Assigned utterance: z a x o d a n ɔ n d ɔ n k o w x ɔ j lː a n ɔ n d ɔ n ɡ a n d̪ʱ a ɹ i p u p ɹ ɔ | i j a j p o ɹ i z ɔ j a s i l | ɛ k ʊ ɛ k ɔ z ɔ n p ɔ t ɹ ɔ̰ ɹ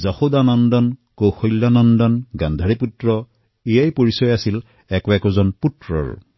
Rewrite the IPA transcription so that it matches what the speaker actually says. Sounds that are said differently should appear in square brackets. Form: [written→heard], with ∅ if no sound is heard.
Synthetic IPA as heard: z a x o d a n ɔ n d ɔ n k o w x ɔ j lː a n ɔ n d ɔ n ɡ a n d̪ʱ a ɹ i p u [p→t] ɹ ɔ | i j a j p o ɹ i [z→s] ɔ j a s i l | ɛ k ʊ ɛ k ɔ z ɔ n p [ɔ→u] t ɹ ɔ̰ ɹ

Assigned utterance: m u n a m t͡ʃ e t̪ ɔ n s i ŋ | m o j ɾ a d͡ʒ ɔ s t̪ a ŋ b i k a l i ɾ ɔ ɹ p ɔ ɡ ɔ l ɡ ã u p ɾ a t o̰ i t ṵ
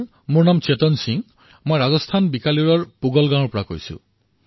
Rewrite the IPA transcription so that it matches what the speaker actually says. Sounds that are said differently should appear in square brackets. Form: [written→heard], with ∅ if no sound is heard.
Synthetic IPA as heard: m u n a m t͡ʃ e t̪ ɔ n s i ŋ | m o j ɾ a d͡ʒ ɔ s [t̪→t̪ʰ] a [ŋ→n] b i k a l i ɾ ɔ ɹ p [ɔ→u] ɡ ɔ l ɡ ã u p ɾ a [t→k] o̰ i [t→s] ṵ

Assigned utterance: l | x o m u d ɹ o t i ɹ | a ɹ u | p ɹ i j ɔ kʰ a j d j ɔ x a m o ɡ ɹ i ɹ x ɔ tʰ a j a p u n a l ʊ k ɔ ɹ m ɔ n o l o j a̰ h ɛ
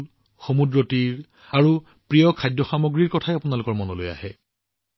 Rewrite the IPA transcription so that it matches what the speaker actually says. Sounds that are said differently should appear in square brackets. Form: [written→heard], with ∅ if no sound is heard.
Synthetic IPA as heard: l | x o m u d ɹ o t i ɹ | a ɹ u | p ɹ i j ɔ kʰ a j d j ɔ x a m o ɡ ɹ i ɹ [x→k] ɔ tʰ a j a p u n a l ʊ k ɔ ɹ m ɔ n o l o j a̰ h ɛ

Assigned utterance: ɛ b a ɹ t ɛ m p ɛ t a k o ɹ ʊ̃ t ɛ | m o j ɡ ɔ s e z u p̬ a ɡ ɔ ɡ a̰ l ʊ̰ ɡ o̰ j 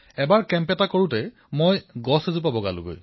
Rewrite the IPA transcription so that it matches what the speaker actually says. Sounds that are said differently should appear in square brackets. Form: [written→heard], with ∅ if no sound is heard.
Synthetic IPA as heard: ɛ b a ɹ [t→k] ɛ m p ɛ t a k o ɹ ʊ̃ t ɛ | m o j ɡ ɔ s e z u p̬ a [ɡ→b] ɔ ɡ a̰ l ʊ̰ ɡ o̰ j

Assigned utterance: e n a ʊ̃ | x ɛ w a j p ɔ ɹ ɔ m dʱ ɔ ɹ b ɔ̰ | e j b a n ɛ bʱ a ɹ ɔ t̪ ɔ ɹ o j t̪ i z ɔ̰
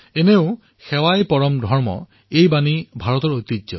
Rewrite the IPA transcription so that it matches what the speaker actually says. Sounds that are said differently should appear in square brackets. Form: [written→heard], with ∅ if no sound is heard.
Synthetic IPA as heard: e n [a→e] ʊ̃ | x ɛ w a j p ɔ ɹ ɔ m dʱ ɔ ɹ [b→m] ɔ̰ | e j b a n [ɛ→i] bʱ a ɹ ɔ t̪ ɔ ɹ o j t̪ i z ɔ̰

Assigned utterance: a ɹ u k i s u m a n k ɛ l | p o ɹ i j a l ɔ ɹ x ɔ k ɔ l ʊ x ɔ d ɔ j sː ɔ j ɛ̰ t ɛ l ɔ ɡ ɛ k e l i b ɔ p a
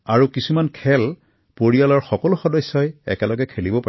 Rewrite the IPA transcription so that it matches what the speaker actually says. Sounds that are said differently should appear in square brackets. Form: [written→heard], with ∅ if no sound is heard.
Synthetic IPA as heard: a ɹ u k i s u m a n [k→kʰ] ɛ l | p o ɹ i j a l ɔ ɹ x ɔ k ɔ l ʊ x ɔ d ɔ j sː ɔ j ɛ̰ [t→k] ɛ l ɔ ɡ ɛ [k→kʰ] e l i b ɔ p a

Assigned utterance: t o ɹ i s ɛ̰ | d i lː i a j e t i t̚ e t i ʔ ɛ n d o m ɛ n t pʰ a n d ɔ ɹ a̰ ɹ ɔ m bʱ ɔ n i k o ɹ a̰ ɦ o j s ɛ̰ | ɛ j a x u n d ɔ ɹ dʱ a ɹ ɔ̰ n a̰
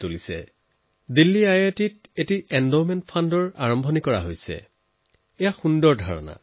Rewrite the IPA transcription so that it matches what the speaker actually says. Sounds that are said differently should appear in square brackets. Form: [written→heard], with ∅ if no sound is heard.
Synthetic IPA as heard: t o [ɹ→l] i s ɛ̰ | d i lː i a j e t i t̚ e t i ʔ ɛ n d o m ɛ n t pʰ a n d ɔ ɹ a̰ ɹ ɔ m bʱ ɔ n i k [o→ɔ] ɹ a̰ ɦ o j s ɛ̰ | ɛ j a x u n d ɔ ɹ dʱ a ɹ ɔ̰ n a̰

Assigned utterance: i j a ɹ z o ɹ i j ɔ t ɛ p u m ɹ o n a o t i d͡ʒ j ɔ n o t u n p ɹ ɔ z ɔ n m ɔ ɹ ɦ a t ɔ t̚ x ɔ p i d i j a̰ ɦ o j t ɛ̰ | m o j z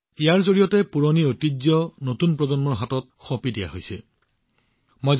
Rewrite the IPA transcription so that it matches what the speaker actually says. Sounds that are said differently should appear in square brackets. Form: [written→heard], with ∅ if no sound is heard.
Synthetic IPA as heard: i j a ɹ z o ɹ i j ɔ t ɛ p u [m→∅] ɹ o n [a→i] o t i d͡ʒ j ɔ n o t u n p ɹ ɔ z ɔ n m ɔ ɹ ɦ a t ɔ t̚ x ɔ p i d i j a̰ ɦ o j [t→s] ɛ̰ | m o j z

